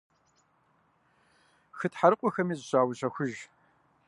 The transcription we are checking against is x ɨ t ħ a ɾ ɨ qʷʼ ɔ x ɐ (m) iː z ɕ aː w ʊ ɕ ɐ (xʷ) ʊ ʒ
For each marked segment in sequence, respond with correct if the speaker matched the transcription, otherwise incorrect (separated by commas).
correct, correct